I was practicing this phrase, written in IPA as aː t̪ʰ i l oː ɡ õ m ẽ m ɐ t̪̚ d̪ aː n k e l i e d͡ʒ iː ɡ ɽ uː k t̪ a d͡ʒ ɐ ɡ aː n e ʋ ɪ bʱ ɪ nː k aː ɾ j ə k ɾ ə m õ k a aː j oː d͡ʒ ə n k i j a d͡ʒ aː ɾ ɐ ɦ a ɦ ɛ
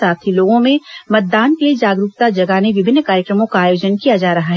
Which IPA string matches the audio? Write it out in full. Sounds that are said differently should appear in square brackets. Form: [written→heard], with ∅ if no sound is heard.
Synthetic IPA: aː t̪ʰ i l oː ɡ õ m ẽ m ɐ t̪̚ d̪ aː n k e l i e d͡ʒ [iː→aː] ɡ [ɽ→ɾ] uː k t̪ a d͡ʒ ɐ ɡ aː n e ʋ ɪ bʱ ɪ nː k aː ɾ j ə k ɾ ə m õ k a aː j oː d͡ʒ ə n k i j a d͡ʒ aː ɾ ɐ ɦ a ɦ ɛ